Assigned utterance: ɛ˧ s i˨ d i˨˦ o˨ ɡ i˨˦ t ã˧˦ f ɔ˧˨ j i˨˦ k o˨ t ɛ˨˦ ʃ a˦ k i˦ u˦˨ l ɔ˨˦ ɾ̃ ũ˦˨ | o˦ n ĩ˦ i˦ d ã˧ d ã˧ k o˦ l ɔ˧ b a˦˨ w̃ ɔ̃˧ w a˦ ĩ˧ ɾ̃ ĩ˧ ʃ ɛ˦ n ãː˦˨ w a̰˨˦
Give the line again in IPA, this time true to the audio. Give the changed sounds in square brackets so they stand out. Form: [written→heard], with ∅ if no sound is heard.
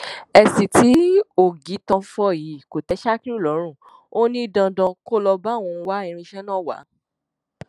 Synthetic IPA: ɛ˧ s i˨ [d→t] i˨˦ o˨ ɡ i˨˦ t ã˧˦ f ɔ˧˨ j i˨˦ k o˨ t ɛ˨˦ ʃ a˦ k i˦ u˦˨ l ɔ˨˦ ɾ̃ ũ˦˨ | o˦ n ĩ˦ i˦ d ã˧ d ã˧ k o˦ l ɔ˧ b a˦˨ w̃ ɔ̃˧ w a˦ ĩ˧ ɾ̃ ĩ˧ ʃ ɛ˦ n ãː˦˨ w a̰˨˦

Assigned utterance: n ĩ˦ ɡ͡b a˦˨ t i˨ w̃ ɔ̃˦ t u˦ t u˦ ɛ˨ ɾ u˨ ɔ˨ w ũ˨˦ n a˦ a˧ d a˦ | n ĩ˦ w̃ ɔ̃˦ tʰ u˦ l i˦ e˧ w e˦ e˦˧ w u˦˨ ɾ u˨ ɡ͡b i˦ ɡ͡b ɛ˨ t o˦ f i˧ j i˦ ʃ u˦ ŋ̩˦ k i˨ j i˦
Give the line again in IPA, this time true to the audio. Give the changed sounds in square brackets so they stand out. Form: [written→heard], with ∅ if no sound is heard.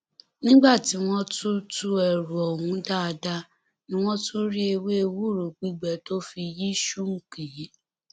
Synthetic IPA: n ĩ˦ ɡ͡b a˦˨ t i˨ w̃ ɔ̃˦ t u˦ t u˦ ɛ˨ ɾ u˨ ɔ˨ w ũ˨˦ [n→d] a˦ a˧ d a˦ | n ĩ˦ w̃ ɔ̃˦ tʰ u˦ [l→ɾ] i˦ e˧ w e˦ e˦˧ w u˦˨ ɾ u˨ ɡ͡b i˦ ɡ͡b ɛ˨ t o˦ f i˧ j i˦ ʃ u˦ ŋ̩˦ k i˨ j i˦

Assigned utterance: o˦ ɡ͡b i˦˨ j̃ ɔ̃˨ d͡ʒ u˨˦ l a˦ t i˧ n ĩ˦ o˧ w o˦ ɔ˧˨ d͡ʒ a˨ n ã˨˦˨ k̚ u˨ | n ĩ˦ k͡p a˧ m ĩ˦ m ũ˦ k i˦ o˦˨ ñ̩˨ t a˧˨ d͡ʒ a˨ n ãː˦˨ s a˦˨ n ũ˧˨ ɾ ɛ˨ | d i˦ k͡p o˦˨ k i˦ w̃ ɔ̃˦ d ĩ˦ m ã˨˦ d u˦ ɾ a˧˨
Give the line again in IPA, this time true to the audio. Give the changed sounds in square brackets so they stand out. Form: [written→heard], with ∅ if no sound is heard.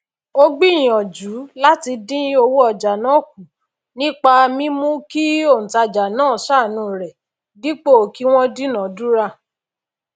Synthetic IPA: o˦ ɡ͡b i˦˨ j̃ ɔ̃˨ d͡ʒ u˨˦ l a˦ t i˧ [n→d] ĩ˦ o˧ w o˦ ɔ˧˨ d͡ʒ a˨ n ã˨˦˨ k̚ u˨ | n ĩ˦ k͡p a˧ m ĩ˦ m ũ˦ k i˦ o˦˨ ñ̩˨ t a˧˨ d͡ʒ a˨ n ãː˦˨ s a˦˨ n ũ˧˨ ɾ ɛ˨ | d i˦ k͡p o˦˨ k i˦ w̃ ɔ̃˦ d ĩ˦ [m→n] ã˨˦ d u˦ ɾ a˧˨

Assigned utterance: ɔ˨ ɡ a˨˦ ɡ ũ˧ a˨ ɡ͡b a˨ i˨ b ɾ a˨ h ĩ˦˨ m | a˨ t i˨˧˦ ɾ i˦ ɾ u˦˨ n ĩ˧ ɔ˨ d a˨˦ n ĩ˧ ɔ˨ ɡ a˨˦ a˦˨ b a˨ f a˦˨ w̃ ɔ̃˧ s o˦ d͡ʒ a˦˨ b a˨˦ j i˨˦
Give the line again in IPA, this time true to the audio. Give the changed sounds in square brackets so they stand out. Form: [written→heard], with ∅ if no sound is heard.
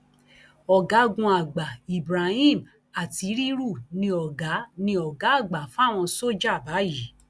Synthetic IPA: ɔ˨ ɡ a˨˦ ɡ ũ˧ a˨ ɡ͡b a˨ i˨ b ɾ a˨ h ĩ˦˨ m | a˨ t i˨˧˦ ɾ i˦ ɾ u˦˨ n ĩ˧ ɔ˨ [d→ɡ] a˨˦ n ĩ˧ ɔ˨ ɡ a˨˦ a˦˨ [b→ɡ͡b] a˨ f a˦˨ w̃ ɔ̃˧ s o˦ d͡ʒ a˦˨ b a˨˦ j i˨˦

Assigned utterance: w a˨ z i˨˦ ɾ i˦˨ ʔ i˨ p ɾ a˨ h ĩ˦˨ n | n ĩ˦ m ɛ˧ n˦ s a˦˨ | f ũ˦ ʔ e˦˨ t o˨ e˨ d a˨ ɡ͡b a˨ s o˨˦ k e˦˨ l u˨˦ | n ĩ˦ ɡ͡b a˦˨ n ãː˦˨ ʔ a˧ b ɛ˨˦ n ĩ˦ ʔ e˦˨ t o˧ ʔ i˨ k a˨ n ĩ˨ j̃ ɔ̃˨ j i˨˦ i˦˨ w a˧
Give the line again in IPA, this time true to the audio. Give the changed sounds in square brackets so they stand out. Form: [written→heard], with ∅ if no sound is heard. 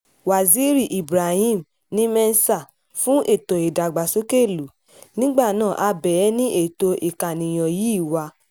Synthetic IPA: w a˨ z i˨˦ ɾ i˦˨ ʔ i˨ [p→b] ɾ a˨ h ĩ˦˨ [n→m] | n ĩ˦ m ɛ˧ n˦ s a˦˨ | f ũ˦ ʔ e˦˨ t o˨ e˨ d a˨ ɡ͡b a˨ s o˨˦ k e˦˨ l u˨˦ | n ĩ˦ ɡ͡b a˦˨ n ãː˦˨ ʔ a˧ b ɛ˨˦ n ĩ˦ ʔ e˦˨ t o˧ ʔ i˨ k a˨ n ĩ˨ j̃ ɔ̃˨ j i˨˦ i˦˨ w a˧

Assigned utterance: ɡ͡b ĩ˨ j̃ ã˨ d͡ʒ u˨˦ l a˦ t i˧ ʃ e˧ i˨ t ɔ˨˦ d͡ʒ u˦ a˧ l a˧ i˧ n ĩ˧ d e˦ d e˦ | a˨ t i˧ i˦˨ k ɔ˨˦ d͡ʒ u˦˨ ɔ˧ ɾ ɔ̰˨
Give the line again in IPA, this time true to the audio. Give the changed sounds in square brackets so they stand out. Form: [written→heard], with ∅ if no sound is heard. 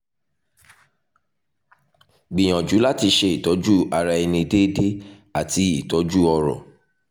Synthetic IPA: ɡ͡b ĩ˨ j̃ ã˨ d͡ʒ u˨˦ l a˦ t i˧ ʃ e˧ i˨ t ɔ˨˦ d͡ʒ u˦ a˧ [l→ɾ] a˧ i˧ n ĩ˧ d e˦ d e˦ | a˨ t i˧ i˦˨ [k→t] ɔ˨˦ d͡ʒ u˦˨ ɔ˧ ɾ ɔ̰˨

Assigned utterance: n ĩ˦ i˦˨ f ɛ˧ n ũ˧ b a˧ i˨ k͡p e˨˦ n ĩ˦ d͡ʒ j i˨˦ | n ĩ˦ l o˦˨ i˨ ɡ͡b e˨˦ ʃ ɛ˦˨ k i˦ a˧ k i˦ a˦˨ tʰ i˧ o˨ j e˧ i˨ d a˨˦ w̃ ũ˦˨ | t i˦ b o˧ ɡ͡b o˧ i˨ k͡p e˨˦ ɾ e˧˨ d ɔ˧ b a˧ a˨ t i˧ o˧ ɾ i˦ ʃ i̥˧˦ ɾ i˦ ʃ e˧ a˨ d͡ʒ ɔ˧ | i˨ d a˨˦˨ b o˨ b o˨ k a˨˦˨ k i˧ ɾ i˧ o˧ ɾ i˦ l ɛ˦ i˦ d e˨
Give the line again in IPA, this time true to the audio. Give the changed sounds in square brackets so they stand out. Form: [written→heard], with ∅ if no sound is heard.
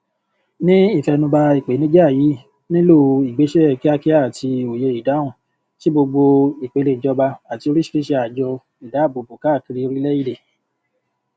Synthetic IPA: n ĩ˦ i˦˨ f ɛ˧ n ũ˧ b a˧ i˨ k͡p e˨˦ n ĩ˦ d͡ʒ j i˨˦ | n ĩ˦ l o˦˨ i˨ ɡ͡b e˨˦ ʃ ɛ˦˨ k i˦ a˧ k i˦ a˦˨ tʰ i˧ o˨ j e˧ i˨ d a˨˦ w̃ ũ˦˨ | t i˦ b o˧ ɡ͡b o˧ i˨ k͡p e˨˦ [ɾ→l] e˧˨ [d→d͡ʒ] ɔ˧ b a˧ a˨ t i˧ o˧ ɾ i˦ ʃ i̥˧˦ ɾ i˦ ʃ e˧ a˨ d͡ʒ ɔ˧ | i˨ d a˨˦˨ b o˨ b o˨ k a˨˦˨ k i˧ ɾ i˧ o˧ ɾ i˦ l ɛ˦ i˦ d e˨

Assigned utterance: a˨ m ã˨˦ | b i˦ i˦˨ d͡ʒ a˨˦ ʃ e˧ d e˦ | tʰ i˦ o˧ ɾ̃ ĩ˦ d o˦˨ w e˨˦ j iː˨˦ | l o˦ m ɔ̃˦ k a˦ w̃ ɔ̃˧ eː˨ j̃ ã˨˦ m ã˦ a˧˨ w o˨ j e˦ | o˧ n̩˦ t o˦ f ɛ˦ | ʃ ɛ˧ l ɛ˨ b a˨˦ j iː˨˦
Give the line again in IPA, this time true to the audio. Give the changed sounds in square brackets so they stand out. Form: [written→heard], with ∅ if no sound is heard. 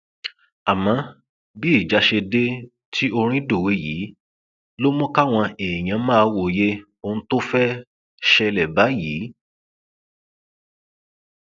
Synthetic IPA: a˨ m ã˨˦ | b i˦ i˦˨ d͡ʒ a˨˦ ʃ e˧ d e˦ | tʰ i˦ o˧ ɾ̃ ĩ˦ d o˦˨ w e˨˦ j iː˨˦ | l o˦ m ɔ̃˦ k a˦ w̃ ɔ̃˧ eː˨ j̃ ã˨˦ m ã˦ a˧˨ w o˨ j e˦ | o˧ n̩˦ t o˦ f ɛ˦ | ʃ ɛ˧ l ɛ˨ b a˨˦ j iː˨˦

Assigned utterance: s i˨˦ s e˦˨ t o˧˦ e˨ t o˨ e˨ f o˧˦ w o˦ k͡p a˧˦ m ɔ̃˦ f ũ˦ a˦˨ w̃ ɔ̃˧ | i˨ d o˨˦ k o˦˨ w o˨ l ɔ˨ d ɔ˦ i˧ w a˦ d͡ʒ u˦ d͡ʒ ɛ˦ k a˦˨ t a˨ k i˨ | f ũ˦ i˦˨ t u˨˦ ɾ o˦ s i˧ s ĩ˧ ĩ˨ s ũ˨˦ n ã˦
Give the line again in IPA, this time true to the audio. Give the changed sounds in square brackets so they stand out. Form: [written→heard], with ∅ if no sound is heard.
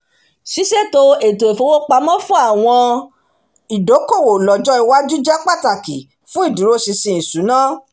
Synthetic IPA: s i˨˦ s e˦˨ t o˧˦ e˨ t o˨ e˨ f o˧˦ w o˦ k͡p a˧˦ m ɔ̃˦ f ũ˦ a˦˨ w̃ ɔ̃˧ | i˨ d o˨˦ k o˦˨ w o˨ l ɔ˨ [d→d͡ʒ] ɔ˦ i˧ w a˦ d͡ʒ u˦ d͡ʒ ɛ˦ [k→k͡p] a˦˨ t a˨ k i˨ | f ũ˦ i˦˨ [t→d] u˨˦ ɾ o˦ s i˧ s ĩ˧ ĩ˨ s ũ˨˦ n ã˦

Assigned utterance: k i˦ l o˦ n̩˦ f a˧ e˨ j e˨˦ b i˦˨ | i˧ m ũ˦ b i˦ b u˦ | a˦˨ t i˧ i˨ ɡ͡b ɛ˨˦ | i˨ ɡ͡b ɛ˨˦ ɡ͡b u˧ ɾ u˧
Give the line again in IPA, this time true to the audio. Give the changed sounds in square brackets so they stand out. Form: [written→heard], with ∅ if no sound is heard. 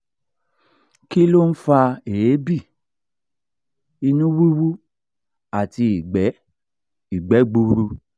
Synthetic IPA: k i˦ l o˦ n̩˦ f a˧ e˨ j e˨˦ b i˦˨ | i˧ [m→n] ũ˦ [b→w] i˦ [b→w] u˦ | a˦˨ t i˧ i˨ ɡ͡b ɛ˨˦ | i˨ ɡ͡b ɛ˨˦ ɡ͡b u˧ ɾ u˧

